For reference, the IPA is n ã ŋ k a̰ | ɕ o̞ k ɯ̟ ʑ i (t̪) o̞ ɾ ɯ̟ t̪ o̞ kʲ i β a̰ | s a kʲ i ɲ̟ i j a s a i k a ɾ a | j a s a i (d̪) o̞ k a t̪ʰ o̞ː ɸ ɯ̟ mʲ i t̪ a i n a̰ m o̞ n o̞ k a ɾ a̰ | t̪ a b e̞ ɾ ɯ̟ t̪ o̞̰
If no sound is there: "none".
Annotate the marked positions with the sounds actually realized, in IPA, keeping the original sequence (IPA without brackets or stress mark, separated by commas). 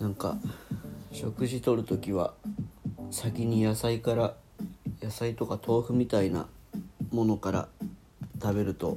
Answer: t̪, t̪